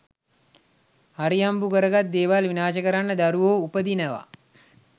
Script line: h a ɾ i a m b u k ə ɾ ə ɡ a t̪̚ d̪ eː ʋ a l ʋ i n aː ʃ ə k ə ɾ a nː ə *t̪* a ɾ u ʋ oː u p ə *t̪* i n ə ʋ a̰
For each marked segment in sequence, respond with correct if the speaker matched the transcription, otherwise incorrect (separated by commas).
incorrect, incorrect